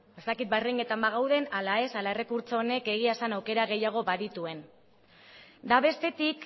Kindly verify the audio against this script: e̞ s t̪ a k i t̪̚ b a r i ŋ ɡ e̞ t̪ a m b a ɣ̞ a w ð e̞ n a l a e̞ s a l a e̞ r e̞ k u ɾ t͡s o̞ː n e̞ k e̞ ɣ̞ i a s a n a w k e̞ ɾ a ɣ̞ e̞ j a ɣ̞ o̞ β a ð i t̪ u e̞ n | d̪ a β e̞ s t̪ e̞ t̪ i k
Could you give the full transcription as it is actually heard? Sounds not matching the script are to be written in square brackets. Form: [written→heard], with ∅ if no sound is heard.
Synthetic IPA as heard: e̞ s t̪ a k i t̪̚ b a r i ŋ ɡ e̞ t̪ a m b a ɣ̞ a w ð e̞ n a l a e̞ s a l a e̞ r e̞ k u ɾ t͡s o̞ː n e̞ k e̞ ɣ̞ i a s a n a w k e̞ ɾ a ɣ̞ e̞ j a ɣ̞ o̞ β a ð i t̪ u e̞ n | d̪ a β e̞ s t̪ e̞ t̪ i k

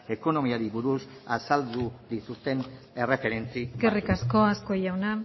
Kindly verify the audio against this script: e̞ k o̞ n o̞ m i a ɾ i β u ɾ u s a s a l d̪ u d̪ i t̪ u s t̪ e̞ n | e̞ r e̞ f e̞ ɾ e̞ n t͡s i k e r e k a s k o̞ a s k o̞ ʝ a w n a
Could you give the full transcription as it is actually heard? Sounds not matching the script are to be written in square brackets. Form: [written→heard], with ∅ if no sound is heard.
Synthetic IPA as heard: e̞ k o̞ n o̞ m i a ɾ i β u ɾ u s a s a l d̪ u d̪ i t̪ u s t̪ e̞ n | e̞ r e̞ f e̞ ɾ e̞ n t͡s i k e r [e→i] k a s k o̞ a s k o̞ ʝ a w n a

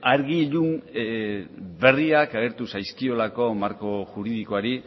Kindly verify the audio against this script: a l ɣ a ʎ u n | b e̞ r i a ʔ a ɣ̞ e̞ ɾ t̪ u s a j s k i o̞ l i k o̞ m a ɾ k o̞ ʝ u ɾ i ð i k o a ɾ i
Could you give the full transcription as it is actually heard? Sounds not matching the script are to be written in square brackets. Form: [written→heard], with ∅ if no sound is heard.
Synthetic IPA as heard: a [l→ɾ] ɣ [a→i] ʎ u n | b e̞ r i a [ʔ→k] a ɣ̞ e̞ ɾ t̪ u s a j s k i o̞ l [i→a] k o̞ m a ɾ k o̞ ʝ u ɾ i ð i k o a ɾ i

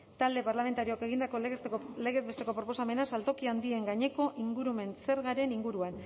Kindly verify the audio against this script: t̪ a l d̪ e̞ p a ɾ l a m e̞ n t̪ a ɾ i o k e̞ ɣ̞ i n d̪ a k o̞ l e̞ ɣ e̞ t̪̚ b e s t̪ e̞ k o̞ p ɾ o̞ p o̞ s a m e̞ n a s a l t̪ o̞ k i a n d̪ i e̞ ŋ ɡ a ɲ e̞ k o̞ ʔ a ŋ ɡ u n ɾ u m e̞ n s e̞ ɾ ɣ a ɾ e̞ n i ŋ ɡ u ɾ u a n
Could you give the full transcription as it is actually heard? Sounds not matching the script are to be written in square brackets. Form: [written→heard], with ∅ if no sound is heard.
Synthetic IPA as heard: t̪ a l d̪ e̞ p a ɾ l a m e̞ n t̪ a ɾ i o k e̞ ɣ̞ i n d̪ a k o̞ l e̞ ɣ e̞ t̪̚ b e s t̪ e̞ k o̞ p ɾ o̞ p o̞ s a m e̞ n a s a l t̪ o̞ k i a n d̪ i e̞ ŋ ɡ a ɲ e̞ k o̞ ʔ [a→i] ŋ ɡ u [n→∅] ɾ u m e̞ n s e̞ ɾ ɣ a ɾ e̞ n i ŋ ɡ u ɾ u a n

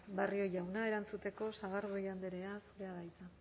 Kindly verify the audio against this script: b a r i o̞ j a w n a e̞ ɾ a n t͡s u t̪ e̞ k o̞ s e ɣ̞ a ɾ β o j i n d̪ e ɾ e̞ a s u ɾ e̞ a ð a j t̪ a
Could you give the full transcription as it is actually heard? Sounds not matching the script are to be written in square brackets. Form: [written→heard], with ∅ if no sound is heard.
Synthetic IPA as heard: b a r i o̞ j a w n a e̞ ɾ a n t͡s u t̪ e̞ k o̞ s [e→a] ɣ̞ a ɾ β o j [i→a] n d̪ e ɾ e̞ a s u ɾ e̞ a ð a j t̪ a

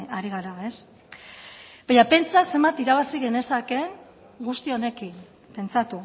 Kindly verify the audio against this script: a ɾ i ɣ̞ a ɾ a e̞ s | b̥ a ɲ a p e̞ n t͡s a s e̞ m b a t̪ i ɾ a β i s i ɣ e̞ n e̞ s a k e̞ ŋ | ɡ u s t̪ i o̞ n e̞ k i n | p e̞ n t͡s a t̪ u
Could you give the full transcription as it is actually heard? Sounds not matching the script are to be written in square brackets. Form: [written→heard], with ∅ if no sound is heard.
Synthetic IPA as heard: a ɾ i ɣ̞ a ɾ a e̞ s | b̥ a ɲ a p e̞ n t͡s a s e̞ m b a t̪ i ɾ a β [i→a] s i ɣ e̞ n e̞ s a k e̞ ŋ | ɡ u s t̪ i o̞ n e̞ k i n | p e̞ n t͡s a t̪ u

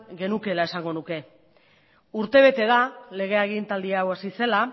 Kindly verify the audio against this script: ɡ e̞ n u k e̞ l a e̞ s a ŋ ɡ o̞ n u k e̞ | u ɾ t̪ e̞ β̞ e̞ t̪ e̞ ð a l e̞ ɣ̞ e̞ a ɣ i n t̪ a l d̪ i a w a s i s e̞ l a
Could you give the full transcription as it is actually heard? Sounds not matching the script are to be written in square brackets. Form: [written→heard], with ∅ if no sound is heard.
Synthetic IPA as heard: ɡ e̞ n u k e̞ l a e̞ s a ŋ ɡ o̞ n u k e̞ | u ɾ t̪ e̞ β̞ e̞ t̪ e̞ ð a l e̞ ɣ̞ e̞ a ɣ i n t̪ a l d̪ i a w a s i s e̞ l a

